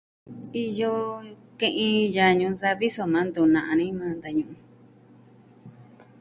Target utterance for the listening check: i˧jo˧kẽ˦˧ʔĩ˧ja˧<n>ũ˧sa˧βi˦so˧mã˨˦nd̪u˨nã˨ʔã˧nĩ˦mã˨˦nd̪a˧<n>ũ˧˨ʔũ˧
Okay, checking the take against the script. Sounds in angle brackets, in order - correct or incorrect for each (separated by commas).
incorrect, incorrect